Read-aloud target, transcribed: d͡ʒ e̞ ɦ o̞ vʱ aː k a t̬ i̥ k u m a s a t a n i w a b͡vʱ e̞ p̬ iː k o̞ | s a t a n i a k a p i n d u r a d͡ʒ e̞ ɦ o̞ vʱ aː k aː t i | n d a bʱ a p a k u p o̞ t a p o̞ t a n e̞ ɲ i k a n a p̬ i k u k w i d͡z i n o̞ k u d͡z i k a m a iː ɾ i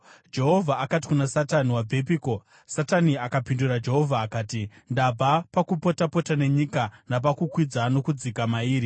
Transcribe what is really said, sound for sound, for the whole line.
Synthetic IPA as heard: d͡ʒ e̞ ɦ o̞ vʱ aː k a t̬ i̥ k u n a s a t a n i w a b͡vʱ e̞ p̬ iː k o̞ | s a t a n i a k a p i n d u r a d͡ʒ e̞ ɦ o̞ vʱ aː k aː t i | n d a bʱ a p a k u p o̞ t a p o̞ t a n e̞ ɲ i k a n a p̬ a k u k w i d͡z a n o̞ k u d͡z i k a m a iː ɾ i